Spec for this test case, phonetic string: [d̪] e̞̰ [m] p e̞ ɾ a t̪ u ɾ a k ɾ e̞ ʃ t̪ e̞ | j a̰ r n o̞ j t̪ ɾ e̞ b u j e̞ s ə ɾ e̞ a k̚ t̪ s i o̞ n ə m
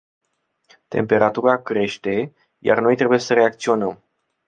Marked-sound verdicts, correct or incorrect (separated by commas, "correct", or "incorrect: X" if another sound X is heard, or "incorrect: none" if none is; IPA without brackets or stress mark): incorrect: t̪, correct